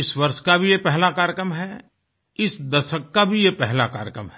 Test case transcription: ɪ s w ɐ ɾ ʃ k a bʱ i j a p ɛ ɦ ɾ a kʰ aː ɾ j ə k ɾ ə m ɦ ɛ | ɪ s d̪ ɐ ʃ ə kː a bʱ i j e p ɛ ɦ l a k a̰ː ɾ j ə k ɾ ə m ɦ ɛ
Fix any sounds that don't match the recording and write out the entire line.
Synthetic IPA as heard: ɪ s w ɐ ɾ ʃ k a bʱ i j e p ɛ ɦ l a k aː ɾ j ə k ɾ ə m ɦ ɛ | ɪ s d̪ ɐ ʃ ə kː a bʱ i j e p ɛ ɦ l a k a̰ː ɾ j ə k ɾ ə m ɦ ɛ